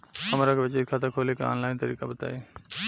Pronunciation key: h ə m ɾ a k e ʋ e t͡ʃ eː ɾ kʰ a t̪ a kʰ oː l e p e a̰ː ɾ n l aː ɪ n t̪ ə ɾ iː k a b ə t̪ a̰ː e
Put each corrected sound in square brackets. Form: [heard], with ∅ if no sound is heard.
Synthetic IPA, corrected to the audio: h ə m ɾ a k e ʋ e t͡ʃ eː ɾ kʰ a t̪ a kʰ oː l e [k] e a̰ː [∅] n l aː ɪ n t̪ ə ɾ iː k a b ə t̪ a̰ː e

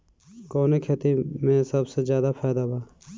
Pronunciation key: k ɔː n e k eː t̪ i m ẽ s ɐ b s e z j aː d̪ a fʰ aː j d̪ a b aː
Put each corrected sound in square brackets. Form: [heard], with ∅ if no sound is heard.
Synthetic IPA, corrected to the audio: k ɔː n e [kʰ] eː t̪ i m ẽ s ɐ b s e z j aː d̪ a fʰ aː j d̪ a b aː

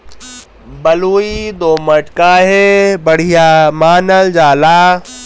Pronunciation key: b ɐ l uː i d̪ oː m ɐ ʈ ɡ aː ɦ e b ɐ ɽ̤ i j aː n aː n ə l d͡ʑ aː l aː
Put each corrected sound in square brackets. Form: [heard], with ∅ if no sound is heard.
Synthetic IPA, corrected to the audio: b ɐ l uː i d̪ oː m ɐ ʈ [k] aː ɦ e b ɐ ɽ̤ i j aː [m] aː n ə l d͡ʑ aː l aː

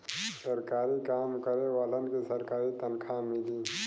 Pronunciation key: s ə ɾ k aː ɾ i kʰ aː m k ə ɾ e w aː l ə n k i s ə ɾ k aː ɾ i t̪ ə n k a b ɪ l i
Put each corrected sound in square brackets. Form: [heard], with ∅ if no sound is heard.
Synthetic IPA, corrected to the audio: s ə ɾ k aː ɾ i [k] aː m k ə ɾ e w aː l ə n k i s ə ɾ k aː ɾ i t̪ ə n [kʰ] a [m] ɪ l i

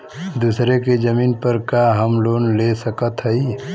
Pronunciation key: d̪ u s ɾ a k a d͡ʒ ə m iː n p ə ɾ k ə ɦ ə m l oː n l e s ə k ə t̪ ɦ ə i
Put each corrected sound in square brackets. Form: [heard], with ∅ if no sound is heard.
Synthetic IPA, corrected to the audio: d̪ u s ɾ [e] k [e] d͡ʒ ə m iː n p ə ɾ k [a] ɦ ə m l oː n l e s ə k ə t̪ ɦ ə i

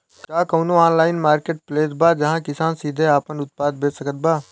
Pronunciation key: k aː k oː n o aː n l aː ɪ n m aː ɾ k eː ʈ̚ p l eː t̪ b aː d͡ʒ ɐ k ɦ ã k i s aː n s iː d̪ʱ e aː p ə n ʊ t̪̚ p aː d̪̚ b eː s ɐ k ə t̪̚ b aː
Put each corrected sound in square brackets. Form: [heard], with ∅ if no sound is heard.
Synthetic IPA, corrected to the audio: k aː k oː n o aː n l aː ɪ n m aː ɾ k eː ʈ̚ p l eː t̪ b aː d͡ʒ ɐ [∅] ɦ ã k [ɪ] s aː n s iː d̪ʱ e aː p ə n ʊ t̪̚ p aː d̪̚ b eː s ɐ k ə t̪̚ b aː

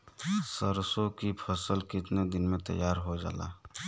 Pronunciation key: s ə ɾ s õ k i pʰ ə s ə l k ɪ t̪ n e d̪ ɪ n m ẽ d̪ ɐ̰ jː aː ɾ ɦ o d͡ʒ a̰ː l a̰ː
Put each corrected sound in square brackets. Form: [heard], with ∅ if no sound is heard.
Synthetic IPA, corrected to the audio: s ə ɾ s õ k i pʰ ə s ə l k ɪ t̪ n e d̪ ɪ n m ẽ [t̪] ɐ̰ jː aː ɾ ɦ o d͡ʒ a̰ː l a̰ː

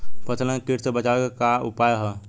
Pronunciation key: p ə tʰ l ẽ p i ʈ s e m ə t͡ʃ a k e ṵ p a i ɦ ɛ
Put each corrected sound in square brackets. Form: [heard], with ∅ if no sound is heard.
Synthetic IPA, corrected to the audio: p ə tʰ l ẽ [k] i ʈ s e [b] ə t͡ʃ a k [a] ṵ p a [j] ɦ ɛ

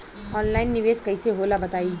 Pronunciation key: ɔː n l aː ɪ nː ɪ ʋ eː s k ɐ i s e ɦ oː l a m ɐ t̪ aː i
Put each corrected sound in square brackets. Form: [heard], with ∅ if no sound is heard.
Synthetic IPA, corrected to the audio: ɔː n l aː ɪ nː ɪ ʋ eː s k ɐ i s e ɦ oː l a [b] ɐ t̪ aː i

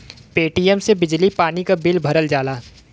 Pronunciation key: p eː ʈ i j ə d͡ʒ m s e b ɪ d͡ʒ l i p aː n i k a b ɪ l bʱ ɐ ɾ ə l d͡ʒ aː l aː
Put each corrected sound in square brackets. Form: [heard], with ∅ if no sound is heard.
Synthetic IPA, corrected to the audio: p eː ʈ i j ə [∅] m s e b ɪ d͡ʒ l i p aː n i k a b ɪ l bʱ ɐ ɾ ə l d͡ʒ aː l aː

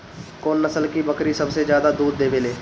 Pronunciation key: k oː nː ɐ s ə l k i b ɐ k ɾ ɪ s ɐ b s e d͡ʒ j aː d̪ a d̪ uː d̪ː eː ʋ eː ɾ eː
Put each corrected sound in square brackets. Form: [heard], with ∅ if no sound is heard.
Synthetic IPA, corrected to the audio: k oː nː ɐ s ə l k i b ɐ k ɾ [i] s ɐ b s e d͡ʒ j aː d̪ a d̪ uː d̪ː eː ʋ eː [l] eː

